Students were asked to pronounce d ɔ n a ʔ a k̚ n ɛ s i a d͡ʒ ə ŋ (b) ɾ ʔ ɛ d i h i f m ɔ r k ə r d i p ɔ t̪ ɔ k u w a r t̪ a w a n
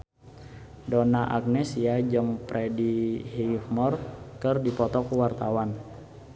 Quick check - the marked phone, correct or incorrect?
incorrect